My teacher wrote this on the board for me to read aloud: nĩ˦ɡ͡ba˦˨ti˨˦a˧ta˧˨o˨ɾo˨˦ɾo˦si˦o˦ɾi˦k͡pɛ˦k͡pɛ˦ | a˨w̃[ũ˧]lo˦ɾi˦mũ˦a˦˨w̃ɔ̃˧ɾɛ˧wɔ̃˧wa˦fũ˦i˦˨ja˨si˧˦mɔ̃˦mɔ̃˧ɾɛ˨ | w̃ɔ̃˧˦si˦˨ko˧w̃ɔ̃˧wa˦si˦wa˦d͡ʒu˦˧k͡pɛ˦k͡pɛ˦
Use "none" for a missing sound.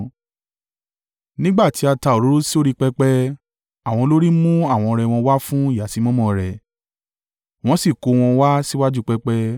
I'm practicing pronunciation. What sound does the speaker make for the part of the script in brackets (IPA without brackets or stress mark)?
ɔ̃˧